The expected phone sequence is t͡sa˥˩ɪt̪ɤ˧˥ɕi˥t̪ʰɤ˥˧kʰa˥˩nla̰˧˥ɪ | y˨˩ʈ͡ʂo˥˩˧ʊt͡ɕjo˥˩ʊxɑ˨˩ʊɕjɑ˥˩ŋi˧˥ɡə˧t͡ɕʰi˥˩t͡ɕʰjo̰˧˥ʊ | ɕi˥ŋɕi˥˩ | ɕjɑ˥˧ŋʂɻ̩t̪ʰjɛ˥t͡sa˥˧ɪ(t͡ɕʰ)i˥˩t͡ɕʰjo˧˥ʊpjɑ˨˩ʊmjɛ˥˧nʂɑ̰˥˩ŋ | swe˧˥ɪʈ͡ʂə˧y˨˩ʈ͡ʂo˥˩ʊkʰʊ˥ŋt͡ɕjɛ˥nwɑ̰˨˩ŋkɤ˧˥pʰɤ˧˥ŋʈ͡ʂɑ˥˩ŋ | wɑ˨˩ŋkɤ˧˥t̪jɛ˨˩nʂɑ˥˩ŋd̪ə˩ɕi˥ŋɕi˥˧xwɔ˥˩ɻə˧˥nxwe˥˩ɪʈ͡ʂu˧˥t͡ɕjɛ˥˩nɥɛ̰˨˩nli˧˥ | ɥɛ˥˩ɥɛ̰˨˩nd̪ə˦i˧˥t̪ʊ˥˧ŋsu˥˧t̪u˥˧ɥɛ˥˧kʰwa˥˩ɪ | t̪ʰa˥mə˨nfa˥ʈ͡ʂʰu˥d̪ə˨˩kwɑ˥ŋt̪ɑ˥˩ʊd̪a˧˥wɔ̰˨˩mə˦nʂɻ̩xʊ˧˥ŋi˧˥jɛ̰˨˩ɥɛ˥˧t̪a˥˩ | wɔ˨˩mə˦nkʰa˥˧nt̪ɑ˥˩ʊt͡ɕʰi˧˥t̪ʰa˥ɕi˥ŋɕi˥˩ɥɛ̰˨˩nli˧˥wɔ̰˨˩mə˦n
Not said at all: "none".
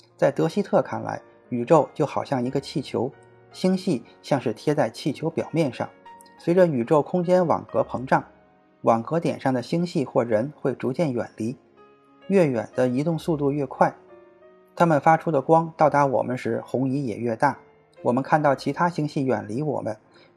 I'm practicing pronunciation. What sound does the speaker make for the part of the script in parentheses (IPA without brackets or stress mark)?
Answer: t͡ɕʰ